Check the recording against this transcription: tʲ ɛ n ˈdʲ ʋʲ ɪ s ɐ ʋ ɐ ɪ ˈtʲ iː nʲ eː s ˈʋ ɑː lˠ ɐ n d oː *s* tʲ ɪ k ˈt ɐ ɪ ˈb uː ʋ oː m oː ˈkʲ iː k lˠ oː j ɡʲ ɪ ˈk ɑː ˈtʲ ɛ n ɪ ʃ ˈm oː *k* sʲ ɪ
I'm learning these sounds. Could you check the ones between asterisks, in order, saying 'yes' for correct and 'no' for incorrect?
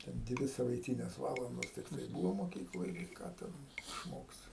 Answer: yes, yes

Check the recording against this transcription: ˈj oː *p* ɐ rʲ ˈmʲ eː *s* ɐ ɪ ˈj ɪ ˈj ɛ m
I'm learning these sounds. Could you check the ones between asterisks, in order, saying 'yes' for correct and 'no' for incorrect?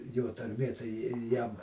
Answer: no, no

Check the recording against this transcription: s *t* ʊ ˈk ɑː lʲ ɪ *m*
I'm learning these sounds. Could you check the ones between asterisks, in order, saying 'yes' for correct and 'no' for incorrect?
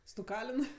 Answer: yes, no

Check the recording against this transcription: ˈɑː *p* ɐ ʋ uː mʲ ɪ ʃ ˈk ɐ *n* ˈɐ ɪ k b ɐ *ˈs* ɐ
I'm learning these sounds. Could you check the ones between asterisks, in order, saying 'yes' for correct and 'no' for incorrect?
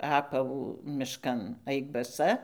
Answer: yes, yes, yes

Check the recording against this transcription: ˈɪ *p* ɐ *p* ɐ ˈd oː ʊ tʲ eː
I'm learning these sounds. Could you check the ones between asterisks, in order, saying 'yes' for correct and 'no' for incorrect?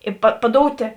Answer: yes, yes

